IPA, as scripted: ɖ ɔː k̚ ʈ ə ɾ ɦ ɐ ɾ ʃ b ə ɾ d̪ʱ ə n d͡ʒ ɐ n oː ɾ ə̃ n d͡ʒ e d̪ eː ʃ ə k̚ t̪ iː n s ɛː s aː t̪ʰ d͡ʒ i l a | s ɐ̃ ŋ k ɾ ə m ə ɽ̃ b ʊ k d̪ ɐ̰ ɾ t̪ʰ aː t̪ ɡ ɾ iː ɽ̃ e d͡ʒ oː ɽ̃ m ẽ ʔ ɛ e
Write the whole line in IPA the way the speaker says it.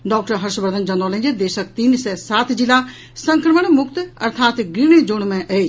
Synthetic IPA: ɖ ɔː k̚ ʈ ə ɾ ɦ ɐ ɾ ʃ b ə ɾ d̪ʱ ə n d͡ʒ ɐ n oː l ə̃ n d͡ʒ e d̪ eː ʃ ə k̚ t̪ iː n s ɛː s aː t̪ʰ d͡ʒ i l a | s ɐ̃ ŋ k ɾ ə m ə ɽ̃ m ʊ k t̪ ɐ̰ ɾ t̪ʰ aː t̪ ɡ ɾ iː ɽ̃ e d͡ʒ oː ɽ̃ m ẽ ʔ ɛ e